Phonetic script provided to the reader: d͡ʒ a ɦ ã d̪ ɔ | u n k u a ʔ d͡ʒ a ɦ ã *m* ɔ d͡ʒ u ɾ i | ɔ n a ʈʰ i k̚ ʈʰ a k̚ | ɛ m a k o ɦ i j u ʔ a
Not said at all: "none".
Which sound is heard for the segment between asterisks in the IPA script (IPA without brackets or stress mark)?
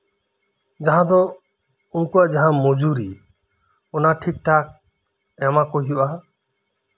m